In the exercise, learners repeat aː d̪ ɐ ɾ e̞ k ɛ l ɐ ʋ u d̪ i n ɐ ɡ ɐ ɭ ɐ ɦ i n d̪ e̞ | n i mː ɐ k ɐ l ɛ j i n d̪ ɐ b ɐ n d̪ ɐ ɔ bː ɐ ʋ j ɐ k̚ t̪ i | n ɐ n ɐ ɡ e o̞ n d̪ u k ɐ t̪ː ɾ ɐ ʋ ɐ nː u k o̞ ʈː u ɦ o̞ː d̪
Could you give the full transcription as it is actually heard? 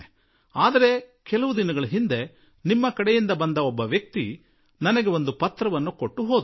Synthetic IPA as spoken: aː d̪ ɐ ɾ e̞ k ɛ l ɐ ʋ u d̪ i n ɐ ɡ ɐ ɭ ɐ ɦ i n d̪ e̞ | n i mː ɐ k ɐ ɽ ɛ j i n d̪ ɐ b ɐ n d̪ ɐ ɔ bː ɐ ʋ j ɐ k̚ t̪ i | n ɐ n ɐ ɡ e o̞ n d̪ u p ɐ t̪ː ɾ ɐ ʋ ɐ nː u k o̞ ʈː u ɦ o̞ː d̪